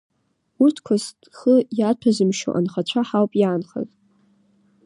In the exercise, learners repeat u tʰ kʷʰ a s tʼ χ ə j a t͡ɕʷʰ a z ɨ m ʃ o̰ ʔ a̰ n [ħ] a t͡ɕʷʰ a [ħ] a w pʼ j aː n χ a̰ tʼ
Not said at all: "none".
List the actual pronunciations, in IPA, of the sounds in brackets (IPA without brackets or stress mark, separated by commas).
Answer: χ, ħ